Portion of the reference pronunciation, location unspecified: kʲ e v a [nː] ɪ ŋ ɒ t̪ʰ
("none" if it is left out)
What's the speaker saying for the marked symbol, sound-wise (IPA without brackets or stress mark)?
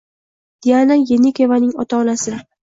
n